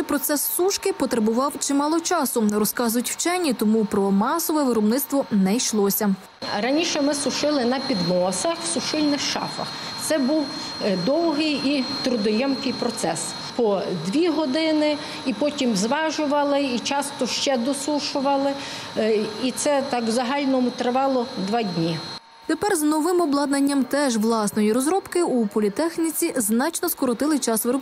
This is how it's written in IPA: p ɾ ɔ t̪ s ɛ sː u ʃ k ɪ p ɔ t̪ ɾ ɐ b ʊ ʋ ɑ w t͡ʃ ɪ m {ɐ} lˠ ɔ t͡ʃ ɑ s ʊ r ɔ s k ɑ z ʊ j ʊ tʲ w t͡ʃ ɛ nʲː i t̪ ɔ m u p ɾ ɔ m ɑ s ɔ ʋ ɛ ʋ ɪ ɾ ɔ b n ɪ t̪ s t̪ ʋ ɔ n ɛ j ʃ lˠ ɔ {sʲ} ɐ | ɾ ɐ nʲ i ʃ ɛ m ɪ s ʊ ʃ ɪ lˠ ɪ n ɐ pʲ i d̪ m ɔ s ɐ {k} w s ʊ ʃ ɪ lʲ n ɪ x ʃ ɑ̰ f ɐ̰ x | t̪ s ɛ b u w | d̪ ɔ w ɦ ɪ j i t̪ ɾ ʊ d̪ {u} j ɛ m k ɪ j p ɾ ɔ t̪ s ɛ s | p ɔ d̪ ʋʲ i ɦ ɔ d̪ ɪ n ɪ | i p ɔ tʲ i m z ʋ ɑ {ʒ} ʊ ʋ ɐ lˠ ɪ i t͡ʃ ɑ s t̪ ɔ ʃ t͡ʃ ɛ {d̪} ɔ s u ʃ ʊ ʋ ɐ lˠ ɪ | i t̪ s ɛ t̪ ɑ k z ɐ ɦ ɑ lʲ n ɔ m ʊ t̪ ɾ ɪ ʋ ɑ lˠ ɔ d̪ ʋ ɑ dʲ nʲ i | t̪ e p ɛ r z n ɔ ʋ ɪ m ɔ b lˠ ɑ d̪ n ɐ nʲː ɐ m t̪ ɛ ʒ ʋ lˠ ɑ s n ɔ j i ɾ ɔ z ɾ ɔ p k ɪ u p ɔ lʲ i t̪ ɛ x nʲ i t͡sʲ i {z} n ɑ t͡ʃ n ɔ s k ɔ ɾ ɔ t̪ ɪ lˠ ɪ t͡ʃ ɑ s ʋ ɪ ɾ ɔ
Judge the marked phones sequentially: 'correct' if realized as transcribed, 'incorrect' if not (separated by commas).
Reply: incorrect, correct, incorrect, incorrect, correct, correct, correct